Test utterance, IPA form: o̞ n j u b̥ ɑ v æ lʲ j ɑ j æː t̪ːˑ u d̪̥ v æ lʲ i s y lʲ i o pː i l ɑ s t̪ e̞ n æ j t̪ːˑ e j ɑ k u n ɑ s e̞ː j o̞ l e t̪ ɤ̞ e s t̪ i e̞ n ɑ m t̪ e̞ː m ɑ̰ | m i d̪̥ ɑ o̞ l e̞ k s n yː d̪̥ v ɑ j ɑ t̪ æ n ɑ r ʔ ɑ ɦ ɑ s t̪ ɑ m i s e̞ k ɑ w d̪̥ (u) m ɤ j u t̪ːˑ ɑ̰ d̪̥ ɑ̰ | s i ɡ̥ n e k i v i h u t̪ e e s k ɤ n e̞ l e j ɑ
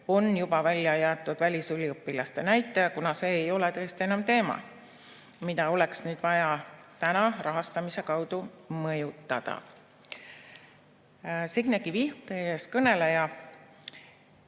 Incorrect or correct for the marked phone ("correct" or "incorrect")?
correct